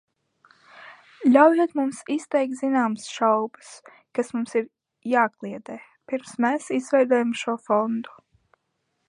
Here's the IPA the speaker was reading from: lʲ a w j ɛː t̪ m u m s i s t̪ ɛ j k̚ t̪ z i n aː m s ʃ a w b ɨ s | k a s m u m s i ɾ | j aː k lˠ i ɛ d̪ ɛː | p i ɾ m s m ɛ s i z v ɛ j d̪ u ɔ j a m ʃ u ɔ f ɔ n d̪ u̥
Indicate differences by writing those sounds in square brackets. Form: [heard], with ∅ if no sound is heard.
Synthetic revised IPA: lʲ a w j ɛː t̪ m u m s i s t̪ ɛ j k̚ t̪ z i n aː m s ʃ a w b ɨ s | k a s m u m s i ɾ | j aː k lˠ i ɛ d̪ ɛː | p i ɾ m s m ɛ s i z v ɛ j d̪ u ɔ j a m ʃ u ɔ f ɔ n d̪ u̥